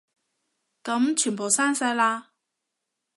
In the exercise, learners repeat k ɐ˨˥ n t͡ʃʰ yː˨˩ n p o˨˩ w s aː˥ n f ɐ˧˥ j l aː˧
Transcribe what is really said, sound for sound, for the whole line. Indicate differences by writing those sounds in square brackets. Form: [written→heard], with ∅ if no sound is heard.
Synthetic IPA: k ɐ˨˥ [n→m] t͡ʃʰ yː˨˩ n p o˨˩ w s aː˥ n [f→s] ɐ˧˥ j l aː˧